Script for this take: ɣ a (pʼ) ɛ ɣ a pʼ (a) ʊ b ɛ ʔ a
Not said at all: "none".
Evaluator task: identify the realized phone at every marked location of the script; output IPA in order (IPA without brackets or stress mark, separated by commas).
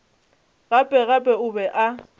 pʼ, ɛ